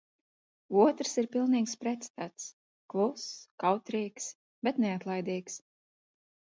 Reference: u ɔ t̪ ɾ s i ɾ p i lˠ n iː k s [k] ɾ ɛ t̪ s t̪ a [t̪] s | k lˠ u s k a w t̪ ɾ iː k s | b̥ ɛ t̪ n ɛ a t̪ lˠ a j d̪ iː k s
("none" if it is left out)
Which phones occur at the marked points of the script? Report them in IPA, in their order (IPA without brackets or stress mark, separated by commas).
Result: p, t̪